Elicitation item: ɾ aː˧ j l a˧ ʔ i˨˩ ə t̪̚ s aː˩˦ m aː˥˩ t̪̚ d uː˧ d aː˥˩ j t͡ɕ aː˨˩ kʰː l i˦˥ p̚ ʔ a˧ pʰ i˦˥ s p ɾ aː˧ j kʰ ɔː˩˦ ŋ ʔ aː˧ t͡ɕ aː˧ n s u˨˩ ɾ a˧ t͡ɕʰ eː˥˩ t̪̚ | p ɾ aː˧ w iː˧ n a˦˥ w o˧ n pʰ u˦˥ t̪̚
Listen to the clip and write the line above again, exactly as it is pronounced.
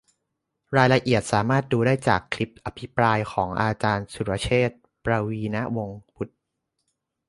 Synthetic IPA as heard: ɾ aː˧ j l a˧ ʔ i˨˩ ə t̪̚ s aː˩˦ m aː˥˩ t̪̚ d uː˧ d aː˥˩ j t͡ɕ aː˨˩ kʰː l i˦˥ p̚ ʔ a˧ pʰ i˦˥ p ɾ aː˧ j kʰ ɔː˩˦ ŋ ʔ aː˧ t͡ɕ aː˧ n s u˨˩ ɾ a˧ t͡ɕʰ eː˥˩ t̪̚ | p ɾ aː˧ w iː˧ n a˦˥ w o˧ ŋ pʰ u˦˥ t̪̚